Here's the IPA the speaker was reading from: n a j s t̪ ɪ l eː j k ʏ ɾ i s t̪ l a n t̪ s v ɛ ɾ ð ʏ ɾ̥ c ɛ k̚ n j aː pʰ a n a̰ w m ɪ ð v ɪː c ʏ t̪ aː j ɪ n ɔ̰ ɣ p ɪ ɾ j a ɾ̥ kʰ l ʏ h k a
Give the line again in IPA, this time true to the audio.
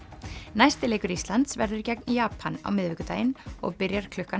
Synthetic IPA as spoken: n a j s t̪ ɪ l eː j k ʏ ɾ i s t̪ l a n t̪ s v ɛ ɾ ð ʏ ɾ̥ c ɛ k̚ n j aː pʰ a n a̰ w m ɪ ð v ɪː k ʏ t̪ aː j ɪ n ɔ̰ ɣ p ɪ ɾ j a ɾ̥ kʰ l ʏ h k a